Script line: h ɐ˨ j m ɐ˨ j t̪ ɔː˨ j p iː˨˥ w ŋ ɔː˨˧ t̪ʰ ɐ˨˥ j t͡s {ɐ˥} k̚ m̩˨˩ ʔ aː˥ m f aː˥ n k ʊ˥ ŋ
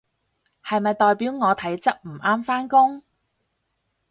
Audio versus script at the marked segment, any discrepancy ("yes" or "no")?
no